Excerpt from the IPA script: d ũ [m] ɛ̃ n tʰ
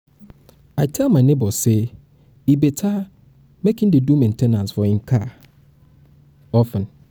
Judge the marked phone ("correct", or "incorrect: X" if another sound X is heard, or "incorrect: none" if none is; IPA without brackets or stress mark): correct